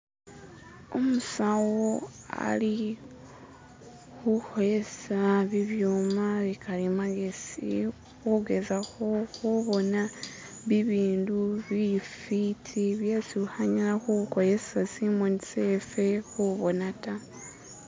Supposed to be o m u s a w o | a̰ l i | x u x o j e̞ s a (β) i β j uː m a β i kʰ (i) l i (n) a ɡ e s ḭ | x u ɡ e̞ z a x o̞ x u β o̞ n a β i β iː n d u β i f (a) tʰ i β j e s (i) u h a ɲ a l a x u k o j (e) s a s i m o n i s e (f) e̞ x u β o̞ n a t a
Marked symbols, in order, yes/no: yes, no, no, no, yes, yes, yes

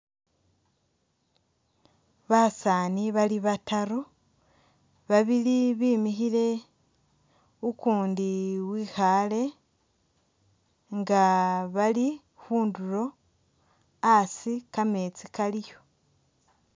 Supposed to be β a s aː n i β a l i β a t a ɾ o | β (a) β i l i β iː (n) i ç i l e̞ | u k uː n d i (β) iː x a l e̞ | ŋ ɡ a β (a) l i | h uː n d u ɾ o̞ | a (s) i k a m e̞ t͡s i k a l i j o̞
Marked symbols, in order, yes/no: yes, no, no, yes, yes

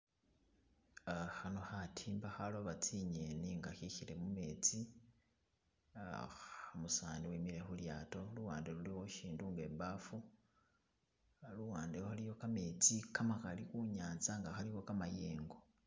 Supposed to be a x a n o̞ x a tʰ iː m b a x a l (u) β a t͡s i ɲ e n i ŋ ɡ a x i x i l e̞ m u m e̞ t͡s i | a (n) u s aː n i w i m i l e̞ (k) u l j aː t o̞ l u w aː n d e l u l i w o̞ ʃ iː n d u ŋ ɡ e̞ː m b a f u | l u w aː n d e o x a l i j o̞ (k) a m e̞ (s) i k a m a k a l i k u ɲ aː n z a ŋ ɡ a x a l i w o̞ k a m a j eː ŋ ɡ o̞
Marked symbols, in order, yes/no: no, no, no, yes, no

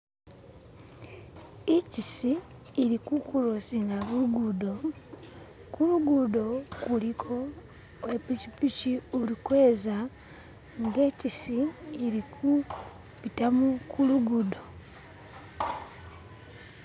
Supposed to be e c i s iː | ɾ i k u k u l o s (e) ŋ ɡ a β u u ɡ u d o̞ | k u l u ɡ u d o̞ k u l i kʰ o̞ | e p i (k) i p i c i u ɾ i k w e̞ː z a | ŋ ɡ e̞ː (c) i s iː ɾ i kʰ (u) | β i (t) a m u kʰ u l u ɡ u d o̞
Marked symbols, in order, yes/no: no, no, yes, yes, yes

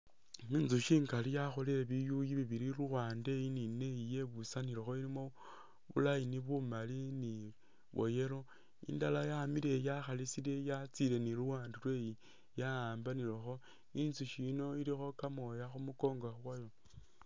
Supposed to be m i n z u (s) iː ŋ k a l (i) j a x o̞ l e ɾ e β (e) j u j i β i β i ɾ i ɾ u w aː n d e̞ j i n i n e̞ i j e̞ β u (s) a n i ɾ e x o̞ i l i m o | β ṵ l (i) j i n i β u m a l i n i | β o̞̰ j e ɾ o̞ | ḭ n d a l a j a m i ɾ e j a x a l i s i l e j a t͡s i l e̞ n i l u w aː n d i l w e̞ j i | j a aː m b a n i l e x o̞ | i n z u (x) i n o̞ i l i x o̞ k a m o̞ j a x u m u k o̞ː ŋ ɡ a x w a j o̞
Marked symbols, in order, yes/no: no, yes, no, yes, no, no

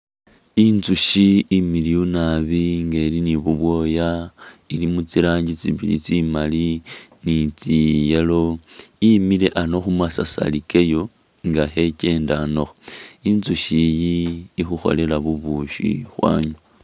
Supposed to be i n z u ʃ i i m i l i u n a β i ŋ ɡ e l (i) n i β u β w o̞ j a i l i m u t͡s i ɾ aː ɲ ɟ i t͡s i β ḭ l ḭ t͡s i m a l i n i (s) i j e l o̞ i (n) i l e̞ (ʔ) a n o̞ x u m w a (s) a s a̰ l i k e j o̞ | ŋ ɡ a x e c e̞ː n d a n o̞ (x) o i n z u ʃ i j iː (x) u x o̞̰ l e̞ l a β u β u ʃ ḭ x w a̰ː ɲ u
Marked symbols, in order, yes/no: yes, no, no, yes, yes, yes, yes

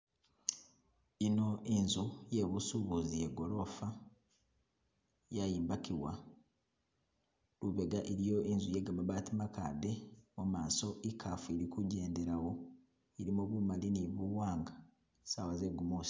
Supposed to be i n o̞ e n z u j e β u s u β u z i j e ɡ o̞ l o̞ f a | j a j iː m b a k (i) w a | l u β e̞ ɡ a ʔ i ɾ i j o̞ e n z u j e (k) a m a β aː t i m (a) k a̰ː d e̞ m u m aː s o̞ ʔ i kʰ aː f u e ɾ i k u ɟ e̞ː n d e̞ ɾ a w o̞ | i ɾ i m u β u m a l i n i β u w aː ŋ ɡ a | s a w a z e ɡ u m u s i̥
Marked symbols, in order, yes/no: yes, no, yes

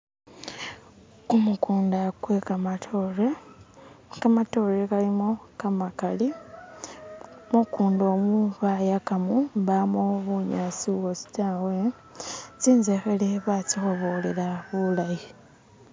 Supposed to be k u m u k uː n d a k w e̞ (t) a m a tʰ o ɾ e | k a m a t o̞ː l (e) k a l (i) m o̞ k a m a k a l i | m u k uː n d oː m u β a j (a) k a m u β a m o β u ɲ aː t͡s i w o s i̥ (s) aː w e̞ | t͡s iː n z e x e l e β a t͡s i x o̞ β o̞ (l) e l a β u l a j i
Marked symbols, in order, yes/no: no, yes, yes, yes, no, yes

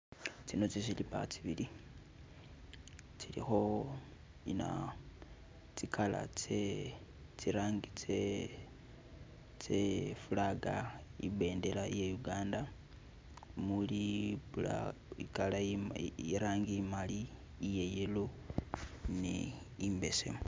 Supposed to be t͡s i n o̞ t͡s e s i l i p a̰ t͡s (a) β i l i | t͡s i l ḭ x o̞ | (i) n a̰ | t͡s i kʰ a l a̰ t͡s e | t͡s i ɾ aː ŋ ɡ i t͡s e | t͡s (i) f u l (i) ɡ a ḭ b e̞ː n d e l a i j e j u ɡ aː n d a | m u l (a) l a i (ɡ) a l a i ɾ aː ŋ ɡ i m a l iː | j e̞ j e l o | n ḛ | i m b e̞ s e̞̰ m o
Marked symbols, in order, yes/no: no, yes, no, no, no, no

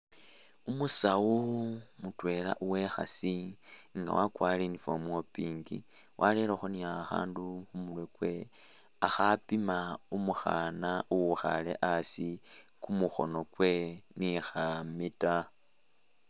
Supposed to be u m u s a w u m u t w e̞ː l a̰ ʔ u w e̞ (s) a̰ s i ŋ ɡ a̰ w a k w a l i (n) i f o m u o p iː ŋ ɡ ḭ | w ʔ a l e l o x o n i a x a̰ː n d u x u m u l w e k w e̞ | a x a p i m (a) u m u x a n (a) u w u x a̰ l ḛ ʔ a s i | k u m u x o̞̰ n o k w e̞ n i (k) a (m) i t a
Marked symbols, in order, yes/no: no, yes, yes, yes, no, yes

